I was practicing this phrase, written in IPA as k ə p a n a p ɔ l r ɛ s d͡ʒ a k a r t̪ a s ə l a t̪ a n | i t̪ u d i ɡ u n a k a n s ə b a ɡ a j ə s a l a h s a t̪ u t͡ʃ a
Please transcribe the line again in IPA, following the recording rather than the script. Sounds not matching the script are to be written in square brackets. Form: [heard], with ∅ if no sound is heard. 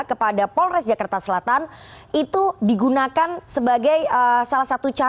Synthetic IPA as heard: k ə p a [d] a p ɔ l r ɛ s d͡ʒ a k a r t̪ a s ə l a t̪ a n | i t̪ u d i ɡ u n a k a n s ə b a ɡ a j ə s a l a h s a t̪ u t͡ʃ a